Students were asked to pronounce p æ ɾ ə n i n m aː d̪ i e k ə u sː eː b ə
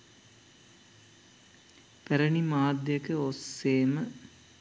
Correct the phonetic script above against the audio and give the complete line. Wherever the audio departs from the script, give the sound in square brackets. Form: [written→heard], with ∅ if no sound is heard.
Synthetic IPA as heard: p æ ɾ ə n i [n→∅] m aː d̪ [i→j] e k ə [u→o] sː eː [b→m] ə